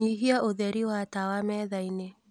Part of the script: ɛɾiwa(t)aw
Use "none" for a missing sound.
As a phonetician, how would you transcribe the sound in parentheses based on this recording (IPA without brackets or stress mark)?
t